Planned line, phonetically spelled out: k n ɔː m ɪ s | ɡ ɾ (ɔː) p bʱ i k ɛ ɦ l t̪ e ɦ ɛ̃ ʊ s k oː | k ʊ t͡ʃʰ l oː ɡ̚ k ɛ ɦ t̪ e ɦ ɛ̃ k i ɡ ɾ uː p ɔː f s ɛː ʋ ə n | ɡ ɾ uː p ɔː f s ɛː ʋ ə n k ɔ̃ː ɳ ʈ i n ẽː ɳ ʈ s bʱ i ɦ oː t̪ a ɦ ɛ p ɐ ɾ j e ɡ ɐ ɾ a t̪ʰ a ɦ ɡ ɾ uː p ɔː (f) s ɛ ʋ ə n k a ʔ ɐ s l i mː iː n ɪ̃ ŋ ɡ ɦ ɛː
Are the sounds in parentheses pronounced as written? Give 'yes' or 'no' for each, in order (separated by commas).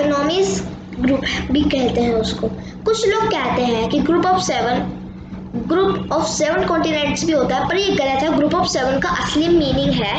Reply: no, yes